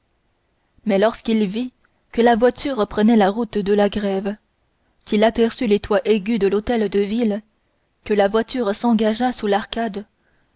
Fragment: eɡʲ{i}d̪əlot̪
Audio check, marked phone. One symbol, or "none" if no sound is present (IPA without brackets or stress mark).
y